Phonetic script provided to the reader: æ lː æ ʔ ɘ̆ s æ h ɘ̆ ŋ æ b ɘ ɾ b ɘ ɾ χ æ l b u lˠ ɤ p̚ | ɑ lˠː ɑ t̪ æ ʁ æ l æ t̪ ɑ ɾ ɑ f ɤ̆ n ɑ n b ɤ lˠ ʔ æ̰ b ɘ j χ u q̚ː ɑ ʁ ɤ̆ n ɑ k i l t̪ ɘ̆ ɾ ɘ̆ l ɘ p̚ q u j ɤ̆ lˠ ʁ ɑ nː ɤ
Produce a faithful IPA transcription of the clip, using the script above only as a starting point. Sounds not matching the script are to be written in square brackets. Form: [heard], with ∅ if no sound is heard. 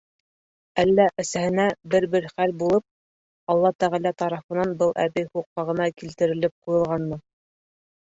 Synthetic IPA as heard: æ lː æ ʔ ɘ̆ s æ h ɘ̆ [n] æ b ɘ ɾ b ɘ ɾ χ æ l b u lˠ ɤ p̚ | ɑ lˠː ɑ t̪ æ ʁ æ l æ t̪ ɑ ɾ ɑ f ɤ̆ n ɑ n b ɤ lˠ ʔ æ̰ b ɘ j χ u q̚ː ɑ ʁ ɤ̆ n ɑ k i l t̪ ɘ̆ ɾ ɘ̆ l ɘ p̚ q u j ɤ̆ lˠ ʁ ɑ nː ɤ